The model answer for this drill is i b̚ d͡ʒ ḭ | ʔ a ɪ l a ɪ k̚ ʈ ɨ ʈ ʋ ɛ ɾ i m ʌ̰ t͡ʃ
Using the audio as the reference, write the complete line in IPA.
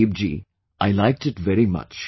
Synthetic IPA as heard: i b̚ d͡ʒ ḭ | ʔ a ɪ l a ɪ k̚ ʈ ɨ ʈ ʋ ɛ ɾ i m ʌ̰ t͡ʃ